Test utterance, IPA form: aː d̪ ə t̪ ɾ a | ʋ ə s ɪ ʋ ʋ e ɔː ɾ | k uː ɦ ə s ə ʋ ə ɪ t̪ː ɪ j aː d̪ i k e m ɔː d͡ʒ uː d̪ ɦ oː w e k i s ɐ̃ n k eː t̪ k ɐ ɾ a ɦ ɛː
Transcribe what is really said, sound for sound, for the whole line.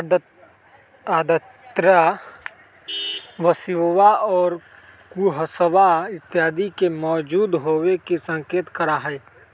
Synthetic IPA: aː d̪ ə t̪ ɾ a | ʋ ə s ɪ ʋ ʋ a ɔː ɾ | k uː ɦ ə s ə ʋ a ɪ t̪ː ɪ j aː d̪ i k e m ɔː d͡ʒ uː d̪ ɦ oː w e k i s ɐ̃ ŋ k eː t̪ k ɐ ɾ a ɦ ɛː

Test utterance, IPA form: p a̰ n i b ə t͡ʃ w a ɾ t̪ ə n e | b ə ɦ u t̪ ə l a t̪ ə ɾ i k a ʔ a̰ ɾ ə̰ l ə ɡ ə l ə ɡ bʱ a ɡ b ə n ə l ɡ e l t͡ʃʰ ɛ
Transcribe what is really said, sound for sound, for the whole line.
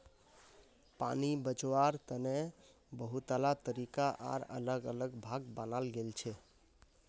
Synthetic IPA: p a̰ n i b ə t͡ʃ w a ɾ t̪ ə n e | b ə ɦ u t̪ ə l a t̪ ə ɾ i k a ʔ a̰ ɾ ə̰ l ə ɡ ə l ə ɡ bʱ a ɡ b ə n a l ɡ e l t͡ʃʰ ɛ

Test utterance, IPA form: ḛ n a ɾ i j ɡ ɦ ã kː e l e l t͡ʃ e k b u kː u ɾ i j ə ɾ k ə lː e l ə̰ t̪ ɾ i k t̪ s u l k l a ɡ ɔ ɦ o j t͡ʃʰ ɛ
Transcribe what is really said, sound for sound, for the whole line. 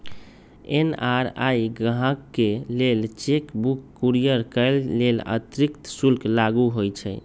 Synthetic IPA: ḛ n a ɾ a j ɡ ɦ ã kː e l e l t͡ʃ e k b u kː u ɾ i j ə ɾ k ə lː e l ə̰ t̪ ɾ i k t̪ s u l k l a ɡ u ɦ o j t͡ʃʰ ɛ

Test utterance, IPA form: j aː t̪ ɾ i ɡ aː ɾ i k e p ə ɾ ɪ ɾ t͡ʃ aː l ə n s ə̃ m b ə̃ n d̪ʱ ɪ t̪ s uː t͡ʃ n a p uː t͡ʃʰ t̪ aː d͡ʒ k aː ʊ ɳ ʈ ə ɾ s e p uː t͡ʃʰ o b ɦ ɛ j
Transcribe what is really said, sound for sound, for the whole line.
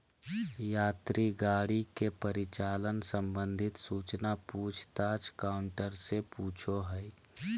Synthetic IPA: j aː t̪ ɾ i ɡ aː ɽ i k e p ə ɾ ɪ t͡ʃ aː l ə n s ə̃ m b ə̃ n d̪ʱ ɪ t̪ s uː t͡ʃ n a p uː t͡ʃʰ t̪ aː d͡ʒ k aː ʊ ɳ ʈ ə ɾ s e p uː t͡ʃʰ o ɦ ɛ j

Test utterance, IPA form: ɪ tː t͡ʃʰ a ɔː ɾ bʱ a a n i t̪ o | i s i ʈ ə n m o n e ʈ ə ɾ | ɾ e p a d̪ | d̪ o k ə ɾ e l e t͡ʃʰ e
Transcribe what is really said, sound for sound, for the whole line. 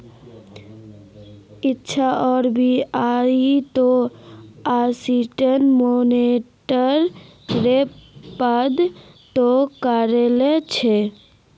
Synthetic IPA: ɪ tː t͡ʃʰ a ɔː ɾ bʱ i a i t̪ o | a s i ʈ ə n m o n e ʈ ə ɾ | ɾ e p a d̪ | t̪ o k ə ɾ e l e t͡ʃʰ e

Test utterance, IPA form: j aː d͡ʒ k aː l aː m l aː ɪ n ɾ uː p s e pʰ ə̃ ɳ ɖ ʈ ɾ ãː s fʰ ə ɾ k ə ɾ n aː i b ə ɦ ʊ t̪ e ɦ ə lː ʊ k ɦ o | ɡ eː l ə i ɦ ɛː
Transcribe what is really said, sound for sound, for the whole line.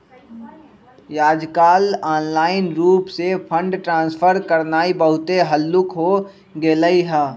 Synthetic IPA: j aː d͡ʒ k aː l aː n l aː ɪ n ɾ uː p s e pʰ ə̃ ɳ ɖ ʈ ɾ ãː s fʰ ə ɾ k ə ɾ n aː i b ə ɦ ʊ t̪ e ɦ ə lː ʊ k ɦ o | ɡ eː l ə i ɦ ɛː

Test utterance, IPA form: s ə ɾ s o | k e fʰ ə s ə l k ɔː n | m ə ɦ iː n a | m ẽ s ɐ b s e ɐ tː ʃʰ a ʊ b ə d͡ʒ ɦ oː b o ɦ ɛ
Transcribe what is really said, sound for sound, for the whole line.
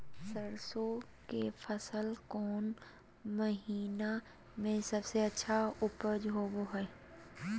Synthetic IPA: s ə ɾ s o | k e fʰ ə s ə l k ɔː n | m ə ɦ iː n a | m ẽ s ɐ b s e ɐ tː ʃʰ a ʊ p ə d͡ʒ ɦ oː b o ɦ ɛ

